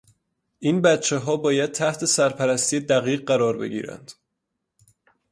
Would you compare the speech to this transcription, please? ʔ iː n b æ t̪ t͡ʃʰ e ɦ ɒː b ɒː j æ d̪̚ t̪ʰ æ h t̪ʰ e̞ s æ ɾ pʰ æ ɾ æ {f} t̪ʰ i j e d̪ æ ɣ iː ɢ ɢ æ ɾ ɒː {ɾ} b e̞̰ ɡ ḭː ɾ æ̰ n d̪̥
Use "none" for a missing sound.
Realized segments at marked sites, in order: s, ɾ

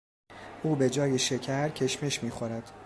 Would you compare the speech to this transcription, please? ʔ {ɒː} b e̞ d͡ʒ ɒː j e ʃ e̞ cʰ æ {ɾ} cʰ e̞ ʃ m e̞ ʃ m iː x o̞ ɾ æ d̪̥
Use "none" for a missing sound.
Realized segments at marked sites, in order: uː, ɾ

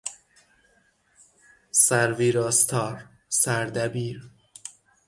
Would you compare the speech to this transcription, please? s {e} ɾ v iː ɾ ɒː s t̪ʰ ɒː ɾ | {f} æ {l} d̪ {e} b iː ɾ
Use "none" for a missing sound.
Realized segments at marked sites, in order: æ, s, ɾ, æ

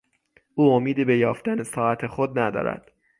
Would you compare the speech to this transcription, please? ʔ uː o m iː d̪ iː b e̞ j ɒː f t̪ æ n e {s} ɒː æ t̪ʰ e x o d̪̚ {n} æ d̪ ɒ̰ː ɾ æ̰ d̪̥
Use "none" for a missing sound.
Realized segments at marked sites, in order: s, n

